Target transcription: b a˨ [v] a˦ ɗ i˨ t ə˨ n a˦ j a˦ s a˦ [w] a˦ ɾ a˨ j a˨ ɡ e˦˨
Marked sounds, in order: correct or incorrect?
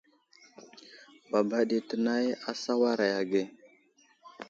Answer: incorrect: b, correct

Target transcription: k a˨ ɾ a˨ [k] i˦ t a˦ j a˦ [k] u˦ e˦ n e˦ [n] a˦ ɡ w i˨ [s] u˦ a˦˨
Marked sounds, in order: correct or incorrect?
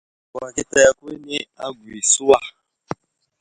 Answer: correct, correct, incorrect: none, correct

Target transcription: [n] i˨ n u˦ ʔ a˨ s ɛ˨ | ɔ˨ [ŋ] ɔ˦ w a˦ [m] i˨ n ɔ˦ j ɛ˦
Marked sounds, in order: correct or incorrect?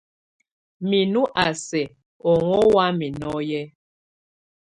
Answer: incorrect: m, correct, correct

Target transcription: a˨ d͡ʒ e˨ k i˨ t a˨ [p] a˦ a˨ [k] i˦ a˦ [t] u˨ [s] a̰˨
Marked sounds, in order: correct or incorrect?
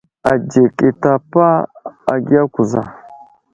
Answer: correct, incorrect: ɡ, incorrect: k, incorrect: z

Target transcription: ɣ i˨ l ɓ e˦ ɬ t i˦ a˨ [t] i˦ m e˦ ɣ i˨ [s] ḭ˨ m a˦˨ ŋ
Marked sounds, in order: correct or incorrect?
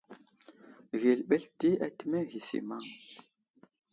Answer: correct, correct

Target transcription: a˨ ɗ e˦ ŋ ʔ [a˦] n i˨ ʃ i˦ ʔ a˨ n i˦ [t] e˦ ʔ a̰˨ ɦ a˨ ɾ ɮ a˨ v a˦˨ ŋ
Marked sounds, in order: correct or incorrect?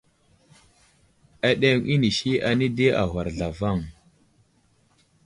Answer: incorrect: i˦, incorrect: d

